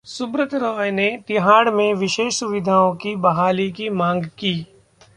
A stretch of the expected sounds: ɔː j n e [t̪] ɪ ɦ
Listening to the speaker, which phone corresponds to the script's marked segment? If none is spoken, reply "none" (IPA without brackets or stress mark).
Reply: t̪